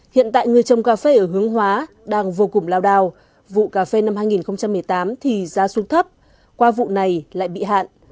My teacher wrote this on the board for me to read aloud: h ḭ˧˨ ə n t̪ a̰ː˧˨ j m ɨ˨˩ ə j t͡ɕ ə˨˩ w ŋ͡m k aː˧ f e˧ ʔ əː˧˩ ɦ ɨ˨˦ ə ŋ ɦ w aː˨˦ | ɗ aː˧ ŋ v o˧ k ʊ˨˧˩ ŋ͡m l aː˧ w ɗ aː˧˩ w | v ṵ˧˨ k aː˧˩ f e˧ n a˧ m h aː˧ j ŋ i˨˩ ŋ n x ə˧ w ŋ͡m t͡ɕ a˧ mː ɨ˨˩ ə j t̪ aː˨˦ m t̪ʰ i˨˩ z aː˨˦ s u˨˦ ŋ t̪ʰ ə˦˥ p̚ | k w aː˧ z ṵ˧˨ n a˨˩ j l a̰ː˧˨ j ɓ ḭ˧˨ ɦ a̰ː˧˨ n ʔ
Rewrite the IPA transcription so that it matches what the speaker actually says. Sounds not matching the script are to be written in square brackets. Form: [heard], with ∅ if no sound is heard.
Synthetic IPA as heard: h ḭ˧˨ ə n t̪ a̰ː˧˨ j [ŋ] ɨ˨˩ ə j t͡ɕ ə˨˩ w ŋ͡m k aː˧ f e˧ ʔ əː˧˩ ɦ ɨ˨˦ ə ŋ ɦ w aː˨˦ | ɗ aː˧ ŋ v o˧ k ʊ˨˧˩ ŋ͡m l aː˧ w ɗ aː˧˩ w | v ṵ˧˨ k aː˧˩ f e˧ n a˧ m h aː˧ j ŋ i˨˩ [∅] n x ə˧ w ŋ͡m t͡ɕ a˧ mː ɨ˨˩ ə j t̪ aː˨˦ m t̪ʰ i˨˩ z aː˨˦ s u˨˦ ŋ t̪ʰ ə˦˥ p̚ | k w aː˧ [v] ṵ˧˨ n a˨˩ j l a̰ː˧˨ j ɓ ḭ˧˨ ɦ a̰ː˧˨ n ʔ